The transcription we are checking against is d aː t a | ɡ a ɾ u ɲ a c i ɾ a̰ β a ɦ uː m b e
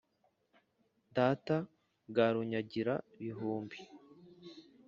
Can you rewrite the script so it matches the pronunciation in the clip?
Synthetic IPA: d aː t a | ɡ a ɾ u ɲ a ɟ i ɾ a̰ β i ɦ uː m b i